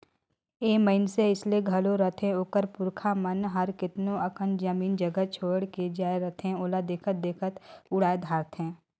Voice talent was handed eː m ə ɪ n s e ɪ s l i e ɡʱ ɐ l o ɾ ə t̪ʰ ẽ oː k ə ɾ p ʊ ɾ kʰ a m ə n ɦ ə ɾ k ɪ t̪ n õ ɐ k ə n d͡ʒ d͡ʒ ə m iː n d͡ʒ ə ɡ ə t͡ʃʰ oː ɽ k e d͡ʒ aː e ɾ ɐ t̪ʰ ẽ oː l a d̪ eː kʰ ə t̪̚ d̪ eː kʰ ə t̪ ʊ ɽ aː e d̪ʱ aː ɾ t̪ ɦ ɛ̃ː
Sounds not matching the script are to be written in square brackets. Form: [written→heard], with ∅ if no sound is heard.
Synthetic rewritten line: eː m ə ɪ n s e ɪ s l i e ɡʱ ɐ l o ɾ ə t̪ʰ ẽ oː k ə ɾ p ʊ ɾ kʰ a m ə n ɦ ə ɾ k ɪ t̪ n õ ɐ k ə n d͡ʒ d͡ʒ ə m iː n d͡ʒ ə ɡ ə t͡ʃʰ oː ɽ k e d͡ʒ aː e ɾ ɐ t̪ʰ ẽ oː l a d̪ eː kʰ ə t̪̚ d̪ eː kʰ ə t̪ ʊ ɽ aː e d̪ʱ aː ɾ t̪ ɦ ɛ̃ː